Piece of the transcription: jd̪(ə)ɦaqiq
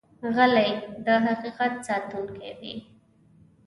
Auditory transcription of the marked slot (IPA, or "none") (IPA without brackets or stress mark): ə